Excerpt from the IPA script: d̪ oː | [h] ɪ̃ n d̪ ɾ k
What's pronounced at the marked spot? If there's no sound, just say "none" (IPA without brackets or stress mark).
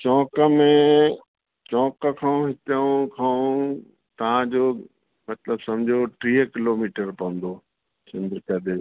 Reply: s